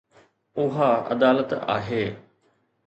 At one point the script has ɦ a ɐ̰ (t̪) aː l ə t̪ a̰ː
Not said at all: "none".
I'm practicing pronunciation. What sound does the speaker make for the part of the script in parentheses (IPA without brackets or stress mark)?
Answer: d̪